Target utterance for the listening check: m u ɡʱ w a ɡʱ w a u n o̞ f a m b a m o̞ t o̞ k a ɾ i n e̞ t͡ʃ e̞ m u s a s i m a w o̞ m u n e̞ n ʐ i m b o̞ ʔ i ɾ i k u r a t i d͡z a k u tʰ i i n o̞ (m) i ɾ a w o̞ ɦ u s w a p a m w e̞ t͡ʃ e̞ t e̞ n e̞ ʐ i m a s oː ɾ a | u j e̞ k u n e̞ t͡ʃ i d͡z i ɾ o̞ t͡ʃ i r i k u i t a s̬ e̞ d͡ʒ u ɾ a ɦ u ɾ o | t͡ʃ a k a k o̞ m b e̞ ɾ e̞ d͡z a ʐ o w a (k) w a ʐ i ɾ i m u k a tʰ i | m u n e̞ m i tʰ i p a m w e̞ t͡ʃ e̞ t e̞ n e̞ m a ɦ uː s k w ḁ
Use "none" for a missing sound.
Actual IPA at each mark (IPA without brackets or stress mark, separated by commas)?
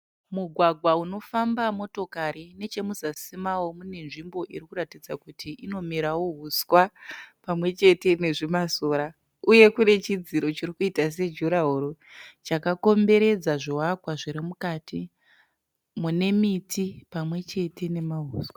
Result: m, k